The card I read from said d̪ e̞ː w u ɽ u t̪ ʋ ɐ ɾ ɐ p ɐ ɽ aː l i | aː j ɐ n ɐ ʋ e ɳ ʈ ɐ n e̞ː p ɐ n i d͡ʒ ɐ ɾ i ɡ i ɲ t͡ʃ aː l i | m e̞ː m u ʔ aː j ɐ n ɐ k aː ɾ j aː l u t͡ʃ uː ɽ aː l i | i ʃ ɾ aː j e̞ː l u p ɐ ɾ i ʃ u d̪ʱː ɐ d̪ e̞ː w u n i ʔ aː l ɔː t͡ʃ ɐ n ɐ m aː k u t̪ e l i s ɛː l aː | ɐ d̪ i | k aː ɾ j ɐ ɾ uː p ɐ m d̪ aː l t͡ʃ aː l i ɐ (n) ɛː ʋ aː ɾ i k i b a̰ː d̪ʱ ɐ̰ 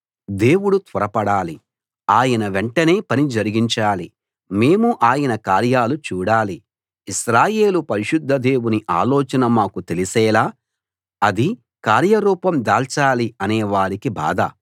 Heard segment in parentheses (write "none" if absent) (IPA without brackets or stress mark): n